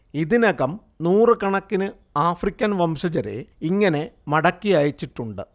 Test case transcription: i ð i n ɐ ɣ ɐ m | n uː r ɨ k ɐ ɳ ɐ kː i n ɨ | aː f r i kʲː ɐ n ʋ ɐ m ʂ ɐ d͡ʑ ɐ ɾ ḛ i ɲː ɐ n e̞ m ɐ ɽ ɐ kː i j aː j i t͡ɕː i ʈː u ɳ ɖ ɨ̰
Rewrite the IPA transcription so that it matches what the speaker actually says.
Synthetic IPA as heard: i ð i n ɐ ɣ ɐ m | n uː r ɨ k ɐ ɳ ɐ kː i n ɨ | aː f r i kʲː ɐ n ʋ ɐ m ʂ ɐ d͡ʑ ɐ ɾ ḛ i ŋː ɐ n e̞ m ɐ ɽ ɐ kː i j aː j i t͡ɕː i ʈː u ɳ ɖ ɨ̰